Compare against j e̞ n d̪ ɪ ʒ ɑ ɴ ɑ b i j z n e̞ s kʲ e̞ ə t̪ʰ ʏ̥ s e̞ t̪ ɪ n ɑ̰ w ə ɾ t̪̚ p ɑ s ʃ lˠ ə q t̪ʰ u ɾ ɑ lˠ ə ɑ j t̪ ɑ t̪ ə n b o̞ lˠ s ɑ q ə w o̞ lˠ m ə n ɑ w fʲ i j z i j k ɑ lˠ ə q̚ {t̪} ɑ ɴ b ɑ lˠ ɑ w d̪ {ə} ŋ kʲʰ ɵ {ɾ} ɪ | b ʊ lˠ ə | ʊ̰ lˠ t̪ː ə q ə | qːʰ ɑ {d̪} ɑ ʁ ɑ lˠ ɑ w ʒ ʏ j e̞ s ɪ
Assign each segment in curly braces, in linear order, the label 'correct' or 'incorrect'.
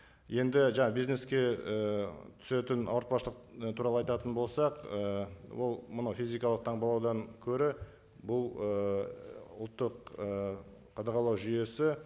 incorrect: t̪ʰ, incorrect: ɑ, correct, correct

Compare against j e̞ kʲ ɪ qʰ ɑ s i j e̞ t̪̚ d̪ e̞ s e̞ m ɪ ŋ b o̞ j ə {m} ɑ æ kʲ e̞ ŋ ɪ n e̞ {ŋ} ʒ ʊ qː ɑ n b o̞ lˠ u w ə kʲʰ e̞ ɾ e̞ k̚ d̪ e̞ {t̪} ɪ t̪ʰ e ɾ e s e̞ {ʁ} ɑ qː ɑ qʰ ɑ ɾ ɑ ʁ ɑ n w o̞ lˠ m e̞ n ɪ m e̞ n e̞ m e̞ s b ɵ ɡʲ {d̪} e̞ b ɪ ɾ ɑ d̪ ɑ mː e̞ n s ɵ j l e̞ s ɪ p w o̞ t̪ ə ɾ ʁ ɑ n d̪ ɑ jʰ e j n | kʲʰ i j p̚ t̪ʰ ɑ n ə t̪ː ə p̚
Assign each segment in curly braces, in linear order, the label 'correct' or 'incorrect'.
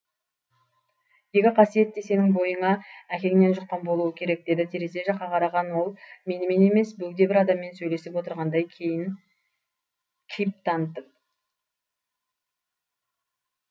incorrect: ɴ, incorrect: n, incorrect: d̪, incorrect: ʒ, correct

